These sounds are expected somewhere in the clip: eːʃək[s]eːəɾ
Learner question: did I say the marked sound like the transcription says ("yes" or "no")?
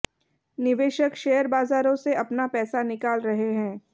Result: no